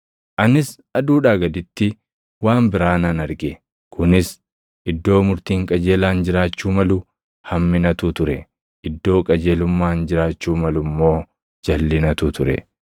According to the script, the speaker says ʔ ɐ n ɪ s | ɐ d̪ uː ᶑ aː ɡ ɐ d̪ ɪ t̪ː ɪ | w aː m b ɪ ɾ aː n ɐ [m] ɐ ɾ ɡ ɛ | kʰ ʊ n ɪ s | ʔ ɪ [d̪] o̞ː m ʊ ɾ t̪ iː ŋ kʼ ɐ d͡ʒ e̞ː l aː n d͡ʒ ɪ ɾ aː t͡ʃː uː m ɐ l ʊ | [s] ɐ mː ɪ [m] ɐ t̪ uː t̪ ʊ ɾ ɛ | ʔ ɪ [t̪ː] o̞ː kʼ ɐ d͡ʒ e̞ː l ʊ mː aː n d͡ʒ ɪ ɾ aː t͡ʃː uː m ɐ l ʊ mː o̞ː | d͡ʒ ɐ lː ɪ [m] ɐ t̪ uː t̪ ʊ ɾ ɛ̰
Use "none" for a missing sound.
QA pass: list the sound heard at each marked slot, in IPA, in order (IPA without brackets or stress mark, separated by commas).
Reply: n, d̪ː, h, n, d̪ː, n